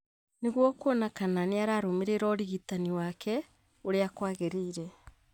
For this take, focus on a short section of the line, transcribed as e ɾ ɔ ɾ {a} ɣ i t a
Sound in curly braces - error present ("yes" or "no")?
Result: yes